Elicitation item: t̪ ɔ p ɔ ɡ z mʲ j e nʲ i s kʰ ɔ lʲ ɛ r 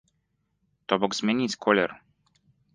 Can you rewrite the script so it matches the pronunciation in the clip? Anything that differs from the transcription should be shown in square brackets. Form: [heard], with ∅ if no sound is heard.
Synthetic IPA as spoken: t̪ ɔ [b] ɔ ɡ z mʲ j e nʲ i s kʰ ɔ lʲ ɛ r